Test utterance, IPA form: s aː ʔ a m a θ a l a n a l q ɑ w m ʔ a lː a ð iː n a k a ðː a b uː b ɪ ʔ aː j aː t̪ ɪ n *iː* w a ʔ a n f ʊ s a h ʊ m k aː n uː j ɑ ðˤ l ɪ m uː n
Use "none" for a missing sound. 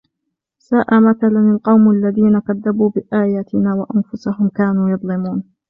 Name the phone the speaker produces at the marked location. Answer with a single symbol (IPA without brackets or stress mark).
aː